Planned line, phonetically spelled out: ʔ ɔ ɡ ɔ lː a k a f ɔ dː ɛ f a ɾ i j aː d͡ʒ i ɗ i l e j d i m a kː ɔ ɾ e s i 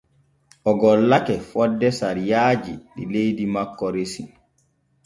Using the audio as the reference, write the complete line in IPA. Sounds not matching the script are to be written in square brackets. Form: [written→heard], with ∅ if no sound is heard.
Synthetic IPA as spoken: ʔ ɔ ɡ ɔ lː a k [a→ɛ] f ɔ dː ɛ [f→s] a ɾ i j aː d͡ʒ i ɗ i l e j d i m a kː ɔ ɾ e s i